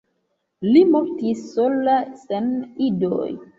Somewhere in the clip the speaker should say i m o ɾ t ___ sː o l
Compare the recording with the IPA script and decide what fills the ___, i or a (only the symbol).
i